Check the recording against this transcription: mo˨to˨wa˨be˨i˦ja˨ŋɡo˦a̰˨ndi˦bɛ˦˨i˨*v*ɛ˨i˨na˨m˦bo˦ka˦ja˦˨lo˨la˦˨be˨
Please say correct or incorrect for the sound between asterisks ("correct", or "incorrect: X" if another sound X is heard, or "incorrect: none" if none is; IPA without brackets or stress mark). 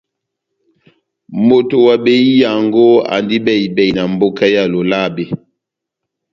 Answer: incorrect: b